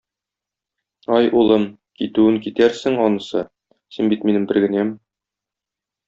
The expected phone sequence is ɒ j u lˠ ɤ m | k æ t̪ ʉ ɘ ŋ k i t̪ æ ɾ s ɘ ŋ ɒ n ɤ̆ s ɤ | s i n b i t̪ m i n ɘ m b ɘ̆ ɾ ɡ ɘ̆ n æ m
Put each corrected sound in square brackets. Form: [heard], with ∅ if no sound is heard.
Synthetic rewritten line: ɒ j u lˠ ɤ m | k [i] t̪ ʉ ɘ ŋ k i t̪ æ ɾ s ɘ ŋ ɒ n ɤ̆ s ɤ | s i n b i t̪ m i n ɘ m b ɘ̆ ɾ ɡ ɘ̆ n æ m